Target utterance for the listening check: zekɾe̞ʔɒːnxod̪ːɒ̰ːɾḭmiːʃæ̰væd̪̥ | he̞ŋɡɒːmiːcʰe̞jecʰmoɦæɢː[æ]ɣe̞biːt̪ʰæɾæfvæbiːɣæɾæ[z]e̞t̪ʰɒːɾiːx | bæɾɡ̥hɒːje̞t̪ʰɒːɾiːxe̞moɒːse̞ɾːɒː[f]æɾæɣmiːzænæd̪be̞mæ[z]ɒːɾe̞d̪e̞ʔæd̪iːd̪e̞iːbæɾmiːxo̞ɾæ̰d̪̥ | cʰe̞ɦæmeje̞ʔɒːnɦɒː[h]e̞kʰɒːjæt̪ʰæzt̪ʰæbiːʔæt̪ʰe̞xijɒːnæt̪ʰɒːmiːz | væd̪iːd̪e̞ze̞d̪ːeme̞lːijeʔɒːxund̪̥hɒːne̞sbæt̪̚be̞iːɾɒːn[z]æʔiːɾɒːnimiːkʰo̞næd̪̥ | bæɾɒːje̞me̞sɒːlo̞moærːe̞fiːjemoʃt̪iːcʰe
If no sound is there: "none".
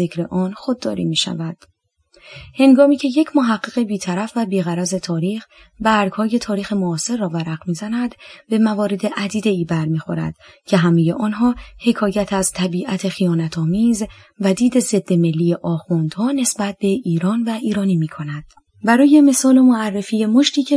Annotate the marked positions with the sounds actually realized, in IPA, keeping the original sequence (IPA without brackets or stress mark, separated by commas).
e, z, v, v, h, v